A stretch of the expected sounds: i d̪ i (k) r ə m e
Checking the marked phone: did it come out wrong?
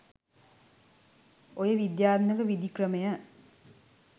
no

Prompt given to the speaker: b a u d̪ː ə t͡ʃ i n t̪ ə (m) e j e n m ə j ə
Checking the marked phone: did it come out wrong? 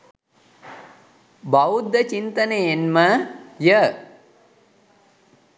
yes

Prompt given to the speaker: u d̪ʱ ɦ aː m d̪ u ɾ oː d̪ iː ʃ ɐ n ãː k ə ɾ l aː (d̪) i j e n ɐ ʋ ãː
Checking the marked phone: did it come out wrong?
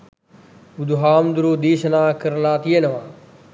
yes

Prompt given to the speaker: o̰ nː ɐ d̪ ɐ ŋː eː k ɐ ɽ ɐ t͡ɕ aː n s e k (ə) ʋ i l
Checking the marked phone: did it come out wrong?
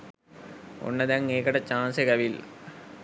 yes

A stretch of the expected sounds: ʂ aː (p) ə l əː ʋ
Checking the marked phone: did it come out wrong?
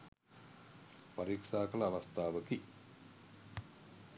yes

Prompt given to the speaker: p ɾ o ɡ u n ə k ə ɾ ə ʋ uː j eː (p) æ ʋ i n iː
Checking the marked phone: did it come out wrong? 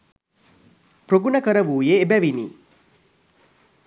yes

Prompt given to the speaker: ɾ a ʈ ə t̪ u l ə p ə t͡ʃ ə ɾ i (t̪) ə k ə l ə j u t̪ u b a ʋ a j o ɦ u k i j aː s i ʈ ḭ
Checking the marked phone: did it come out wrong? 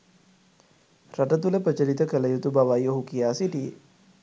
no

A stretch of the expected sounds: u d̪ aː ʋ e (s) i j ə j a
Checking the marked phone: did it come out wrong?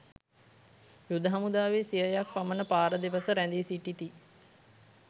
no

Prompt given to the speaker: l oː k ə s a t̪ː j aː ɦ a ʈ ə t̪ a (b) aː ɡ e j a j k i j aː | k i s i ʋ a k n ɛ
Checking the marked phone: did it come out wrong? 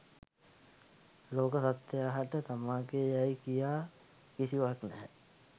yes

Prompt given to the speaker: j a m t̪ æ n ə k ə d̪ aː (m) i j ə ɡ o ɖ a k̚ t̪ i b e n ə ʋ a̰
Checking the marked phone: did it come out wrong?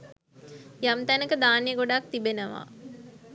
yes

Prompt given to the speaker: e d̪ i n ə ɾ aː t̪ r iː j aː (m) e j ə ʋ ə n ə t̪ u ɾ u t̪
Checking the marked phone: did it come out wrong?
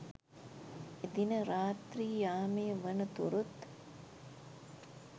no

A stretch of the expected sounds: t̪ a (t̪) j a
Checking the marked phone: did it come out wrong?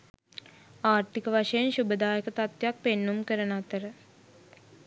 no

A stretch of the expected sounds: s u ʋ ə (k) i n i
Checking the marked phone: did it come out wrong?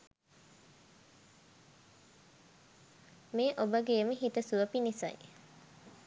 yes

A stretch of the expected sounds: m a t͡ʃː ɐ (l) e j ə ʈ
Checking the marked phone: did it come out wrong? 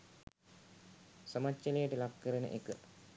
no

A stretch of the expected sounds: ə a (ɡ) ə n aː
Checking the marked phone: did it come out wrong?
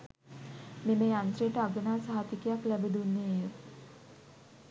no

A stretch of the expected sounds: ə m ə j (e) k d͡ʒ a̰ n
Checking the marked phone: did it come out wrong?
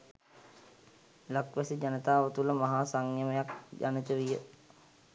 yes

